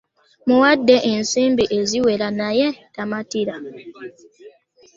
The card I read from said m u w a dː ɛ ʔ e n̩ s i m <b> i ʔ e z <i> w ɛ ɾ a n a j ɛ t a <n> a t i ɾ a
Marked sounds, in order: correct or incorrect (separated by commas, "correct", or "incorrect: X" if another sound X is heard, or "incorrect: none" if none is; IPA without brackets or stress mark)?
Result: correct, correct, incorrect: m